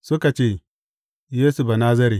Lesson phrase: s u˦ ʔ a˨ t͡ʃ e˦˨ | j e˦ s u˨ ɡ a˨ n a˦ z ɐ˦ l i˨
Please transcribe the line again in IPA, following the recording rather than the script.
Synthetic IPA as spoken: s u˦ k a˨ t͡ʃ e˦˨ | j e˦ s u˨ b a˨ n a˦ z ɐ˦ ɾ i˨

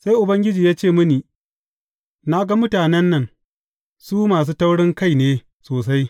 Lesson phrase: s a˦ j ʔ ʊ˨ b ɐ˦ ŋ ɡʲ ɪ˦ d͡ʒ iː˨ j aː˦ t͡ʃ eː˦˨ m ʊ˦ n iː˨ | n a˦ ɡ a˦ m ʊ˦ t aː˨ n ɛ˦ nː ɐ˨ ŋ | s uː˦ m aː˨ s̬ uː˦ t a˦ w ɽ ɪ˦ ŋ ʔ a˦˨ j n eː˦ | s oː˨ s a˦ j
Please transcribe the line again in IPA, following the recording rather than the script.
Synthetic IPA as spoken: s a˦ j ʔ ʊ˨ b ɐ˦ ŋ ɡʲ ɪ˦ d͡ʒ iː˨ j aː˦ t͡ʃ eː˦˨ m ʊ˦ n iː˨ | n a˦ ɡ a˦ m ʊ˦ t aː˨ n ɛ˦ nː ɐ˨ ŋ | s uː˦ m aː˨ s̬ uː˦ t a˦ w ɽ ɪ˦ ŋ k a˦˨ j n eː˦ | s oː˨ s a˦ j

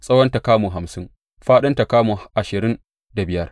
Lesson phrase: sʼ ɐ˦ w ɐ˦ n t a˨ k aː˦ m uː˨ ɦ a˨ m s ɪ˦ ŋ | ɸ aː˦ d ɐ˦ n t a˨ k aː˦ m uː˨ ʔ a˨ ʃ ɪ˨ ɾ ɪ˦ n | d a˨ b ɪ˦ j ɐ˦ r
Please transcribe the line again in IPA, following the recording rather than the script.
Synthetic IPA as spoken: sʼ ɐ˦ w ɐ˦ n t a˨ k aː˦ m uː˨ ɦ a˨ m s ɪ˦ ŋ | ɸ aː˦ ɗ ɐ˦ n t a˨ k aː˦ m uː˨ ʔ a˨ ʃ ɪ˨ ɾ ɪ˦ n | d a˨ b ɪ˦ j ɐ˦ r

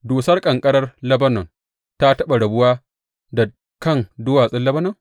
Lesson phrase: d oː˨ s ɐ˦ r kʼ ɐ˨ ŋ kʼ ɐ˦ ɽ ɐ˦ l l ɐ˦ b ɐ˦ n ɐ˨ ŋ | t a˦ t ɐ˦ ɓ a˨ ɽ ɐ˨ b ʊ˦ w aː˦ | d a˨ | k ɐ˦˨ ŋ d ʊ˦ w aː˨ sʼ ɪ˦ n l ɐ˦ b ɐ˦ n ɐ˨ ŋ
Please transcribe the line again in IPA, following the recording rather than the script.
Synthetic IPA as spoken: d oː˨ s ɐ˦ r kʼ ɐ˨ ŋ kʼ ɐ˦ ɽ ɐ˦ r l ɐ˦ b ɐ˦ n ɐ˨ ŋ | t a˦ t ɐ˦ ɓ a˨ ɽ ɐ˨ b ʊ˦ w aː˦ | d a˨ | k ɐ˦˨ ŋ d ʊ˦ w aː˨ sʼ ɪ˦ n l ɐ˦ b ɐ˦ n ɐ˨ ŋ

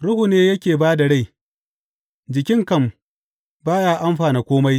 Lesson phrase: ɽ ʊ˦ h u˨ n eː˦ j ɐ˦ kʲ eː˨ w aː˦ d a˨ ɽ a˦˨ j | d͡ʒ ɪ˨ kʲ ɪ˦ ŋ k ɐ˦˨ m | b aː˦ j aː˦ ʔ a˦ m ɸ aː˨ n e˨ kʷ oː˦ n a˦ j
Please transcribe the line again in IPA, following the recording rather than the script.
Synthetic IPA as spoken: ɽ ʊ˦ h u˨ n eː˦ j ɐ˦ kʲ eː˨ b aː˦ d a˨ ɽ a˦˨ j | d͡ʒ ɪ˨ kʲ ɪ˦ ŋ k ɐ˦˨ m | b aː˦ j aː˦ ʔ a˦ m ɸ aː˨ n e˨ kʷ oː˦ m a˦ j

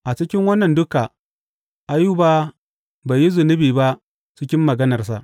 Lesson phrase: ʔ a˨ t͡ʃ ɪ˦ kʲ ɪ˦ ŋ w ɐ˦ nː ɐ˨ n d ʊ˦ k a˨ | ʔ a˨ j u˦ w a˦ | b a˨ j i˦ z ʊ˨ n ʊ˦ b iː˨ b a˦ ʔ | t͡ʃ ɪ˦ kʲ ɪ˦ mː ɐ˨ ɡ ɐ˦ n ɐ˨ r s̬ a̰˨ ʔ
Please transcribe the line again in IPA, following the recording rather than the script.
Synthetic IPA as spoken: ʔ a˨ t͡ʃ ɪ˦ kʲ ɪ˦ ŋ w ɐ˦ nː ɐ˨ n d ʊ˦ k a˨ | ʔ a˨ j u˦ b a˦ | b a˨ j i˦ z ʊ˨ n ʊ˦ b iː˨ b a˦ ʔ | t͡ʃ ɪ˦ kʲ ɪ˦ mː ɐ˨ ɡ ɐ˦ n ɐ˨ r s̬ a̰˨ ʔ

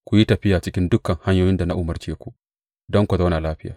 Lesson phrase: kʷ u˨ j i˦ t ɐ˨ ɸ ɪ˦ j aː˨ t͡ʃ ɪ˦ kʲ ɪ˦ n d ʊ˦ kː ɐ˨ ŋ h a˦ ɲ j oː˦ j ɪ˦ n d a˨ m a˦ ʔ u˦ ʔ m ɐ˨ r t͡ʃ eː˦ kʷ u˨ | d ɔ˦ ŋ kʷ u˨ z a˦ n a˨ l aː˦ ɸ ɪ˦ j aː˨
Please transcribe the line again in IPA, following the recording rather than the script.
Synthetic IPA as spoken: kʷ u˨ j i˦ t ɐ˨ ɸ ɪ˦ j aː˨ t͡ʃ ɪ˦ kʲ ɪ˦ n d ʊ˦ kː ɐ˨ ŋ h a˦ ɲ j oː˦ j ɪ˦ n d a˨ n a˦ ʔ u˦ m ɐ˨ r t͡ʃ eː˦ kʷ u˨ | d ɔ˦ ŋ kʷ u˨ z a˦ n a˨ l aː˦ ɸ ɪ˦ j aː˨

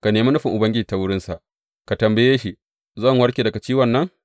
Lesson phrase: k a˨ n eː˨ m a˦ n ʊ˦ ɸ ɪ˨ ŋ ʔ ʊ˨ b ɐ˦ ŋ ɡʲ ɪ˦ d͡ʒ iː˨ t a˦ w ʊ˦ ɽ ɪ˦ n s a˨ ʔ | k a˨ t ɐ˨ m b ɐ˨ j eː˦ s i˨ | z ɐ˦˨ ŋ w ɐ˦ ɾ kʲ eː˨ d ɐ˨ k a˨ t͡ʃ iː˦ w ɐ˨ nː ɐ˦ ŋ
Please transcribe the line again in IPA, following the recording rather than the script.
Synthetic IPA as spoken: k a˨ n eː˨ m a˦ n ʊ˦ ɸ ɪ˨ ŋ ʔ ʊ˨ b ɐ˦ ŋ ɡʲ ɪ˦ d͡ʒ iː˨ t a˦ w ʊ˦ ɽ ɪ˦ n s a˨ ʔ | k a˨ t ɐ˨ m b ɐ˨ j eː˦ ʃ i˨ | z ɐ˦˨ ŋ w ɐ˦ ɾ kʲ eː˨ d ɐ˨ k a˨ t͡ʃ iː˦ w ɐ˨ nː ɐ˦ ŋ

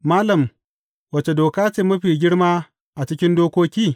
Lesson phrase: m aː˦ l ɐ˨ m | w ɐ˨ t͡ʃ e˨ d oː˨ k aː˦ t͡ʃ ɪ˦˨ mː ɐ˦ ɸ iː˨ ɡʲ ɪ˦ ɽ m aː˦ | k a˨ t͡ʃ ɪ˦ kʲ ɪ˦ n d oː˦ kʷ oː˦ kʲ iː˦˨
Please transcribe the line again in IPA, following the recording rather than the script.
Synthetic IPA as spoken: m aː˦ l ɐ˨ m | w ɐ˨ t͡ʃ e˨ d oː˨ k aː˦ t͡ʃ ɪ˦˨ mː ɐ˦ ɸ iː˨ ɡʲ ɪ˦ ɽ m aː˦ | ʔ a˨ t͡ʃ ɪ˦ kʲ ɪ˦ n d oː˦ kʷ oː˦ kʲ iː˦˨

